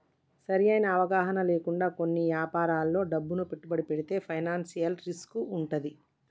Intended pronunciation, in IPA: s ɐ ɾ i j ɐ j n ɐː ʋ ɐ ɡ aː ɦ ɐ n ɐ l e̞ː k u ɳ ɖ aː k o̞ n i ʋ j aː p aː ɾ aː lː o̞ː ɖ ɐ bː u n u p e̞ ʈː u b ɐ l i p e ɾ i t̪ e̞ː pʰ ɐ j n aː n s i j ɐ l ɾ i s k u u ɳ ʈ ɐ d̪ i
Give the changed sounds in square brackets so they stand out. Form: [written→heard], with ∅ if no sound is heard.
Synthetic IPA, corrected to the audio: s ɐ ɾ i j ɐ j n ɐː ʋ ɐ ɡ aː ɦ ɐ n ɐ l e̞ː k u ɳ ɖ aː k o̞ [n→nː] i ʋ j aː p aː ɾ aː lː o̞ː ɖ ɐ bː u n u p e̞ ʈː u b ɐ [l→ɽ] i p e [ɾ→ɽ] i t̪ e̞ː pʰ ɐ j n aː n s i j ɐ l ɾ i s k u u ɳ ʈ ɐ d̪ i